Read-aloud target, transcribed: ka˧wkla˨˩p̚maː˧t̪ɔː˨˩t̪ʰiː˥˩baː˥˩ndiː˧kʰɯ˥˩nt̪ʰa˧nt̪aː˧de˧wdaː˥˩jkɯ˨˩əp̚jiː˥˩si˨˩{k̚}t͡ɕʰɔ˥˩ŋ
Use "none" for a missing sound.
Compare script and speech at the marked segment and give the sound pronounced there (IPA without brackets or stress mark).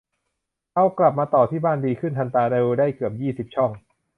p̚